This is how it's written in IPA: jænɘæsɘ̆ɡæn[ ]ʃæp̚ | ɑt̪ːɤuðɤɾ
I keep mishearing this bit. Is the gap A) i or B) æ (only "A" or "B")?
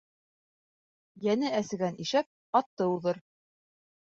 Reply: A